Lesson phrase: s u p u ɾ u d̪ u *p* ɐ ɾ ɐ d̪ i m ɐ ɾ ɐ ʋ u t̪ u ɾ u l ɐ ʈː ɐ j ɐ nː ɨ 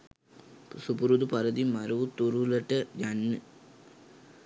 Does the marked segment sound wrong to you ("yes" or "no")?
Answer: no